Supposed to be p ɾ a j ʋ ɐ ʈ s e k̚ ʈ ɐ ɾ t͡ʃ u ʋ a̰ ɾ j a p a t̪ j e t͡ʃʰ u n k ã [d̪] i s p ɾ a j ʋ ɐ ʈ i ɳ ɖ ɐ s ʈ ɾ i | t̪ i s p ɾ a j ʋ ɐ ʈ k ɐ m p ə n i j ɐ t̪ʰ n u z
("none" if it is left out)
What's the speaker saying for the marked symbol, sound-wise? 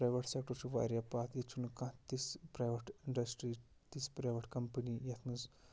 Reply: t̪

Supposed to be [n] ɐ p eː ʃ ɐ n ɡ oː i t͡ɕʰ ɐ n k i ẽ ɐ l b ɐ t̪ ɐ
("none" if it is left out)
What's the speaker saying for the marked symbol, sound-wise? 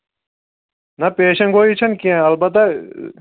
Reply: n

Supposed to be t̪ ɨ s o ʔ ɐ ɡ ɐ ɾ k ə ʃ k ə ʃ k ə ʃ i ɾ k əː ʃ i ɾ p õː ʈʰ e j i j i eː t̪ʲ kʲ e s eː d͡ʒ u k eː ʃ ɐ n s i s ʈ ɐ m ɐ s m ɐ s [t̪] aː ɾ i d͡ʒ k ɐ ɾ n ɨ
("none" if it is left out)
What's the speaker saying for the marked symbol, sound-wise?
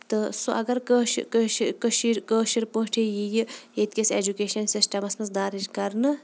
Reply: d̪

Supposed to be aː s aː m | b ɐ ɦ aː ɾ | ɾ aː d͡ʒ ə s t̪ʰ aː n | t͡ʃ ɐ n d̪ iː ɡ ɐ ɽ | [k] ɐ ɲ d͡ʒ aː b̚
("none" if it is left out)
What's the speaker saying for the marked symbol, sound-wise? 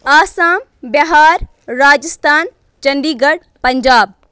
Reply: p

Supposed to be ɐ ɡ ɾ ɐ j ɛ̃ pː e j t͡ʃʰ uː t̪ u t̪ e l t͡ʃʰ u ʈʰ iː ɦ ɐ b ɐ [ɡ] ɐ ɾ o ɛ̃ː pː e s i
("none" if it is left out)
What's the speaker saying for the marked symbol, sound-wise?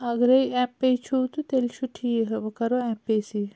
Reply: k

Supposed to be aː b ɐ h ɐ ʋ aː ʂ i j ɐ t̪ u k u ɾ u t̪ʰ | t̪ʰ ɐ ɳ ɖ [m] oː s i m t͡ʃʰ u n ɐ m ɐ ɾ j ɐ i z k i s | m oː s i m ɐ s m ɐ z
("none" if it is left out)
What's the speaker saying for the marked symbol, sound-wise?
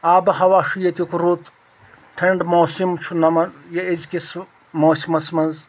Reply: m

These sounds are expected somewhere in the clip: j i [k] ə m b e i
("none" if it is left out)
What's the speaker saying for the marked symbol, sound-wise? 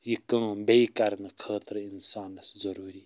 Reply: k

